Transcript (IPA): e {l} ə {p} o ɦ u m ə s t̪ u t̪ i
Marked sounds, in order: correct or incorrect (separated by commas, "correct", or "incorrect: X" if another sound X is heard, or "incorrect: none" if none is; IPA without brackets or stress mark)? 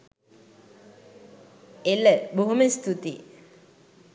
correct, incorrect: b